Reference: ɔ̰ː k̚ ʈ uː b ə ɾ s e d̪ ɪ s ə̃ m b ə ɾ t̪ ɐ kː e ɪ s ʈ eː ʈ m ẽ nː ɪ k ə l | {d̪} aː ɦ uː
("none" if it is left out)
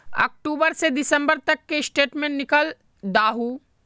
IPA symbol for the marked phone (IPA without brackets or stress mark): d̪